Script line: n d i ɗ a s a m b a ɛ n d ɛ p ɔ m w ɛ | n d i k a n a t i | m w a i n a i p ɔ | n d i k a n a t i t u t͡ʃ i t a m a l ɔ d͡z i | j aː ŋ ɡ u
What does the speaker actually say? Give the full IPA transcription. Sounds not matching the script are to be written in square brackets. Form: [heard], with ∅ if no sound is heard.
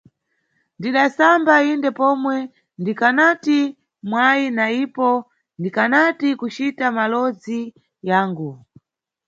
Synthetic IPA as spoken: n d i ɗ a s a m b a [i] n d ɛ p ɔ m w ɛ | n d i k a n a t i | m w a i n a i p ɔ | n d i k a n a t i [k] u t͡ʃ i t a m a l ɔ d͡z i | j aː ŋ ɡ u